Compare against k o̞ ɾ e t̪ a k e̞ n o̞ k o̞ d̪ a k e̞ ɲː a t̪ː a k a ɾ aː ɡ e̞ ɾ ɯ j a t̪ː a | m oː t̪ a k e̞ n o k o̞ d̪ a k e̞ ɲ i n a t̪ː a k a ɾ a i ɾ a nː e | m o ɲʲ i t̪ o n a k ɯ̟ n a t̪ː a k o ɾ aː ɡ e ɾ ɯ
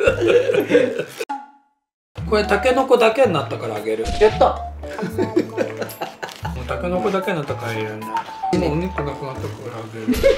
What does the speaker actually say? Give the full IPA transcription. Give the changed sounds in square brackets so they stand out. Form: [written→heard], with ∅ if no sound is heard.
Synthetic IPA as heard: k o̞ ɾ e t̪ a k e̞ n o̞ k o̞ d̪ a k e̞ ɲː a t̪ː a k a ɾ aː ɡ e̞ ɾ ɯ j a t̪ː a | m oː t̪ a k e̞ n o k o̞ d̪ a k e̞ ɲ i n a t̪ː a k a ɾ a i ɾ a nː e | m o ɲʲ i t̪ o n a k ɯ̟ n a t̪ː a k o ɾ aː ɡ e ɾ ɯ

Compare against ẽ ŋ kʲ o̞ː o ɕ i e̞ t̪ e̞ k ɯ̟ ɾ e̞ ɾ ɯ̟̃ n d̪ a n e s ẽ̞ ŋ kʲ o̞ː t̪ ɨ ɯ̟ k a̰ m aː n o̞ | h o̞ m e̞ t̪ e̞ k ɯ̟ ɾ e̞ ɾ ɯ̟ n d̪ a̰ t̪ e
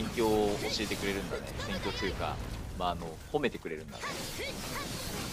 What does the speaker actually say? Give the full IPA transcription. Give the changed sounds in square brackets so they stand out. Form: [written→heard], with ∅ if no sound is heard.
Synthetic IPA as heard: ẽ ŋ kʲ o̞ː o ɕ i e̞ t̪ e̞ k ɯ̟ ɾ e̞ ɾ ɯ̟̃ n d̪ a n e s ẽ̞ ŋ kʲ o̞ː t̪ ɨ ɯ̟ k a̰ m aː n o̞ | h o̞ m e̞ t̪ e̞ k ɯ̟ ɾ e̞ ɾ ɯ̟ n d̪ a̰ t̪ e

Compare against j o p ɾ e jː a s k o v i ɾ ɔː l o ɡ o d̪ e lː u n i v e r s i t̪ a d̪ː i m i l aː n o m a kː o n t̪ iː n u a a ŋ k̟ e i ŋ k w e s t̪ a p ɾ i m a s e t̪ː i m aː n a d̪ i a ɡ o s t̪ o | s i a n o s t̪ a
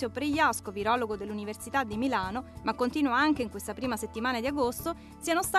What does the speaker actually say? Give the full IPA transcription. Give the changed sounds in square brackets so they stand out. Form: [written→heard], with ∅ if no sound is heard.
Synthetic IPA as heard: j o p ɾ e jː a s k o v i ɾ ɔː l o ɡ o d̪ e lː u n i v e r s i t̪ a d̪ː i m i l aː n o m a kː o n t̪ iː n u a a ŋ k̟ e i ŋ k w e s t̪ a p ɾ [i→iː] m a s e t̪ː i m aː n a d̪ i a ɡ o s t̪ o | s i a n o s t̪ a

